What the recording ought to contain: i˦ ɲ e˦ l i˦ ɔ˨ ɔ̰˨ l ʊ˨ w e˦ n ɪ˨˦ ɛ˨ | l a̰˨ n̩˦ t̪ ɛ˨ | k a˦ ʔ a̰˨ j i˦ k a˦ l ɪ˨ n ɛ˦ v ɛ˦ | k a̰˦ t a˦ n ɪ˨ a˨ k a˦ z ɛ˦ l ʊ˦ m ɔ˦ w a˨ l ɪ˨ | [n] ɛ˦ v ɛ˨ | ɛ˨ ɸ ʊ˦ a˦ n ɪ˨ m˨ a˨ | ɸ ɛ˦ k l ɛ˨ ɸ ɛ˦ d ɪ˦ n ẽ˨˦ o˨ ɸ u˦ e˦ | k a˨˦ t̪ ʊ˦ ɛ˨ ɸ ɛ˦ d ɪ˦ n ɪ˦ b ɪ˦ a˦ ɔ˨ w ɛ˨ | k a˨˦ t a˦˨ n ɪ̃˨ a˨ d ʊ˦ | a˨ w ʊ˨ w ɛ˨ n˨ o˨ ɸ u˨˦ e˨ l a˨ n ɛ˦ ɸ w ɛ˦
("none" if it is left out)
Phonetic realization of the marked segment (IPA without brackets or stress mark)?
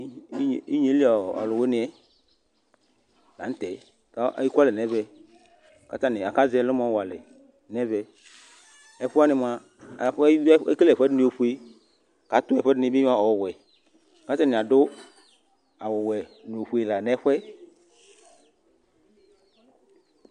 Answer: n